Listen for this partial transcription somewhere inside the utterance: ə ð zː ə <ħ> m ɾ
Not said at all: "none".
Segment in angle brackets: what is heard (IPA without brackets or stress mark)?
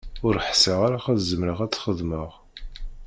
none